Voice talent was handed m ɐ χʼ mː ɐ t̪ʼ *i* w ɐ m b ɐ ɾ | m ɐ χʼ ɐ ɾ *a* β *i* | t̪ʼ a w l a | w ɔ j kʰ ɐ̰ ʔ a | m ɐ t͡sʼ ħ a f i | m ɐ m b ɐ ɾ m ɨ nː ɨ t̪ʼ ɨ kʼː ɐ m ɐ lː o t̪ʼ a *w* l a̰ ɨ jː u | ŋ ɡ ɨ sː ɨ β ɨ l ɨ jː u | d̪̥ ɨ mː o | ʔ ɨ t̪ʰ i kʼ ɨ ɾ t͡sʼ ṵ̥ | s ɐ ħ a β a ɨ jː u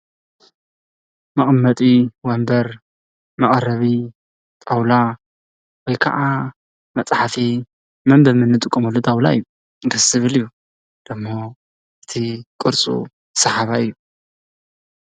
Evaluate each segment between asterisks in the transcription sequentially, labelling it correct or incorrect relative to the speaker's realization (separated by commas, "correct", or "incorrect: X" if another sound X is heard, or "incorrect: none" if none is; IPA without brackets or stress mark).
correct, incorrect: ɐ, correct, correct